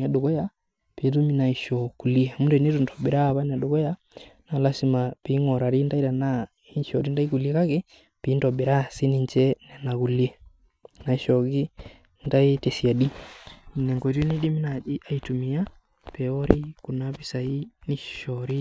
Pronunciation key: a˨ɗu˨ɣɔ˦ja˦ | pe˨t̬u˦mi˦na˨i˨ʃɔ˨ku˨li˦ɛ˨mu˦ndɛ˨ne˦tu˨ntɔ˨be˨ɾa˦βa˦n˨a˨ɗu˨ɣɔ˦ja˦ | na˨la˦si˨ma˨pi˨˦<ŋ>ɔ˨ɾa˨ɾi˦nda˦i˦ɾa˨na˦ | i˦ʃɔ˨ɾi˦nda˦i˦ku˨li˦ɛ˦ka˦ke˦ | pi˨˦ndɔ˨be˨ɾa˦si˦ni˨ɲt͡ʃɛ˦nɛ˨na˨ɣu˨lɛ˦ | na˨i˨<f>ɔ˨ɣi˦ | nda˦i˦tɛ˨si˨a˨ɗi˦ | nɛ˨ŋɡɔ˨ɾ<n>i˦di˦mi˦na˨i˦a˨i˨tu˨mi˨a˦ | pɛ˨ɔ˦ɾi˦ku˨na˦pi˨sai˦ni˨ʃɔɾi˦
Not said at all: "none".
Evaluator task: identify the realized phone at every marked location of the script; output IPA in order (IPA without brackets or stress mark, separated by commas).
ŋ, ʃ, n